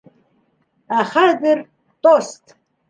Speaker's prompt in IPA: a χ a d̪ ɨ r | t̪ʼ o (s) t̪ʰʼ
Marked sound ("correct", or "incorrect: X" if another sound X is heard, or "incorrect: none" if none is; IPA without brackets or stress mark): correct